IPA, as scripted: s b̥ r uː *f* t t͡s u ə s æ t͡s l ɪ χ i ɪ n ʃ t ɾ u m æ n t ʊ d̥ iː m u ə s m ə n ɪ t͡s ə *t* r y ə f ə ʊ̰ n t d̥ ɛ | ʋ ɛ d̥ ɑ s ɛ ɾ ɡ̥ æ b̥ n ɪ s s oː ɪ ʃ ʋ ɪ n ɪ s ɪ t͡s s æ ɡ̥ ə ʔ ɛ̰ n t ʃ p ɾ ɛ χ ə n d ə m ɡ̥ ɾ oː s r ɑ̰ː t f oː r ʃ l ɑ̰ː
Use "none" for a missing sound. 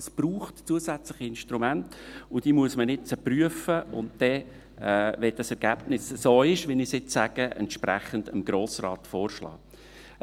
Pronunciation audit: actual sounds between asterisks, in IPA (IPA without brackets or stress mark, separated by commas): χ, p